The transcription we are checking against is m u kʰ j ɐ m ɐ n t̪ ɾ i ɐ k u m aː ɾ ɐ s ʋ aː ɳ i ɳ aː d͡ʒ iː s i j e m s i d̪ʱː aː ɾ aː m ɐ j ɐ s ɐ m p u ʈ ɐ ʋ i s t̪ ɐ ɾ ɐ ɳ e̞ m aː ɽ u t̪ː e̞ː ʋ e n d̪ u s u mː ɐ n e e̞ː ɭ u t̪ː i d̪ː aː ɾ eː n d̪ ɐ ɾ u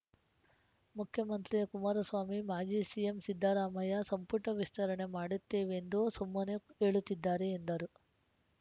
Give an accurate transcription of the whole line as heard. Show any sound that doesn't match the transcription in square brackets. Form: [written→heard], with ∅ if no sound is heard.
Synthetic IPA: m u kʰ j ɐ m ɐ n t̪ ɾ i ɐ k u m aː ɾ ɐ s ʋ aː [ɳ→m] i [ɳ→m] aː d͡ʒ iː s i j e m s i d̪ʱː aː ɾ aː m ɐ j ɐ s ɐ m p u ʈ ɐ ʋ i s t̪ ɐ ɾ ɐ ɳ e̞ m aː ɽ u t̪ː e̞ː ʋ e n d̪ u s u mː ɐ n e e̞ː ɭ u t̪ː i d̪ː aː ɾ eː n d̪ ɐ ɾ u